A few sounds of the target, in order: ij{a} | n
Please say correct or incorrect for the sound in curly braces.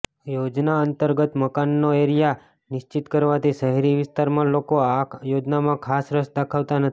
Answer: correct